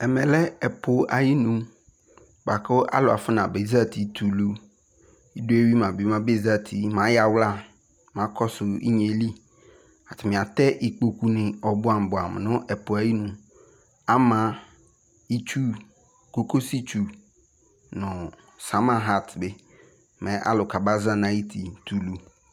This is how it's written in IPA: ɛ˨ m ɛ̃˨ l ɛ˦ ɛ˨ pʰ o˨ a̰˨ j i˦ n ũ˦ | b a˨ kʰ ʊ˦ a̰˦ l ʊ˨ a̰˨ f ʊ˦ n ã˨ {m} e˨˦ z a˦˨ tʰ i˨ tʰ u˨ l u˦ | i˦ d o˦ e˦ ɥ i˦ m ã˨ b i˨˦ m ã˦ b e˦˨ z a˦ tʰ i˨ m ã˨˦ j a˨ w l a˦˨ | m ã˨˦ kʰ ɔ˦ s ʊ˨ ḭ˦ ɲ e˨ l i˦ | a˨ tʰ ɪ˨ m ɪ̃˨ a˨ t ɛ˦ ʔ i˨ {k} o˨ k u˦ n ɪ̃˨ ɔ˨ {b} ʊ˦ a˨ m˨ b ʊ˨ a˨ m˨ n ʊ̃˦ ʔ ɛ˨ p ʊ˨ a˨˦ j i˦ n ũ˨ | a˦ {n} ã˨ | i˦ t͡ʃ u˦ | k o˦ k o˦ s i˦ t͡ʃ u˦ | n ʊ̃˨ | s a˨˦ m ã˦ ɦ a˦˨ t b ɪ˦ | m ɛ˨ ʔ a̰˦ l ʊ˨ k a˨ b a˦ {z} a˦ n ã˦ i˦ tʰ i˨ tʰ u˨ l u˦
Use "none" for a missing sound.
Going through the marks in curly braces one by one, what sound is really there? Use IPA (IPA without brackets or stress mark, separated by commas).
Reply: b, k͡p, b, m, z